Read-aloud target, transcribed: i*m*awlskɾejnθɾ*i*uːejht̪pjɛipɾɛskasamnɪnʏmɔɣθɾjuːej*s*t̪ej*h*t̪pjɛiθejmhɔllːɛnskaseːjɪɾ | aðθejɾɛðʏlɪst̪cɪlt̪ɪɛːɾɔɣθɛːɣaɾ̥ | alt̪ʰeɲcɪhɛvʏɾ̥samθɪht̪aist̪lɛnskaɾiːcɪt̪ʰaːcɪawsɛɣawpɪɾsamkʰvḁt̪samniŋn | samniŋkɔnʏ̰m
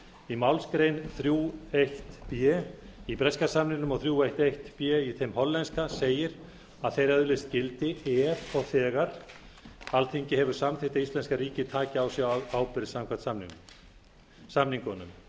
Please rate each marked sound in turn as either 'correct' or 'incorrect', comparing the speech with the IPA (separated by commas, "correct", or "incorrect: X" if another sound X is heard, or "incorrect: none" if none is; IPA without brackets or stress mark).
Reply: correct, incorrect: j, incorrect: h, correct